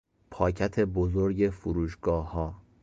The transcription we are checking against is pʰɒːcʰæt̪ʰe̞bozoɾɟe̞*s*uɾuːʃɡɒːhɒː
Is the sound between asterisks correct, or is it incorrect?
incorrect